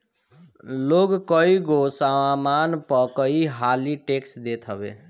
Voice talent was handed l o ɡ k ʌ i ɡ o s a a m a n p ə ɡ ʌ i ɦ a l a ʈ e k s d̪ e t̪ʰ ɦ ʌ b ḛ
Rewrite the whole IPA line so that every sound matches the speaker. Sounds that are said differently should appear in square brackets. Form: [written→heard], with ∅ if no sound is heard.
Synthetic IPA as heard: l o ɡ k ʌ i ɡ o s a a m a n p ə [ɡ→k] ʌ i ɦ a l [a→i] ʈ e k s d̪ e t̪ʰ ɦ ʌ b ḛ